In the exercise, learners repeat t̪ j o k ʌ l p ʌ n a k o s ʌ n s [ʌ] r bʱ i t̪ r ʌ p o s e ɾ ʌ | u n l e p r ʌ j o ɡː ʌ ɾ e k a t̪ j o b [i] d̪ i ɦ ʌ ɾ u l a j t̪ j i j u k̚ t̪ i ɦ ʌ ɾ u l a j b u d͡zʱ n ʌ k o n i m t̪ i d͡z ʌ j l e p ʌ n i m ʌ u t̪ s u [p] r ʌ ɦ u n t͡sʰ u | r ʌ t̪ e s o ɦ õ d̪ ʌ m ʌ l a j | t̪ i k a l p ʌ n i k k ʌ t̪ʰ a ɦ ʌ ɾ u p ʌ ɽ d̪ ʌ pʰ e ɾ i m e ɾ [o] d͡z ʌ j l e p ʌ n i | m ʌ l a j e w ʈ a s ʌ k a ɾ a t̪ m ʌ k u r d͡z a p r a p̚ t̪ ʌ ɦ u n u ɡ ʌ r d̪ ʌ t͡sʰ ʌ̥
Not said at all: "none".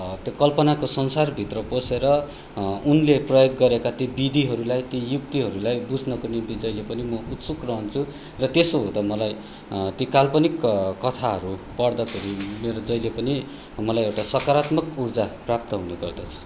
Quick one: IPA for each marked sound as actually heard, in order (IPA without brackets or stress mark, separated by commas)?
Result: a, i, k, o